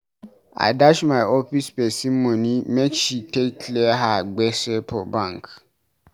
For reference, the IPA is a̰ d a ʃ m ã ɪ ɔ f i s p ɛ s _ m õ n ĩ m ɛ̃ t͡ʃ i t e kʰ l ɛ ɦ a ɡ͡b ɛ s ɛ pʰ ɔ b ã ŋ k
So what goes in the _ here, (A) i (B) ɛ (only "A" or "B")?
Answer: A